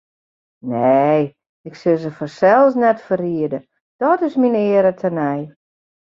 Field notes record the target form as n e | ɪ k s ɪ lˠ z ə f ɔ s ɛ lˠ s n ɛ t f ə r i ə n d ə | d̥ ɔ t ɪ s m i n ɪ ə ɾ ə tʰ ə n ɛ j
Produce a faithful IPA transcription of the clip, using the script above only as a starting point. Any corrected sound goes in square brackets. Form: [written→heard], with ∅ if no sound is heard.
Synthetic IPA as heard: n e | ɪ k s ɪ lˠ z ə f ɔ s ɛ lˠ s n ɛ t f ə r i ə [n→∅] d ə | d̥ ɔ t ɪ s m i n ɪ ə ɾ ə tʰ ə n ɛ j